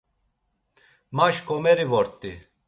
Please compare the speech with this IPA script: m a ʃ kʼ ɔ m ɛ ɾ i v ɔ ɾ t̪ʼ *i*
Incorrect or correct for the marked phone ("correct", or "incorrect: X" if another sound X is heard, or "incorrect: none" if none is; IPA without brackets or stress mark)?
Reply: correct